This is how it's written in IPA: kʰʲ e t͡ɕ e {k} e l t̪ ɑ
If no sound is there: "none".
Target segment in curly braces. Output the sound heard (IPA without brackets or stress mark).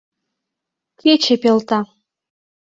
p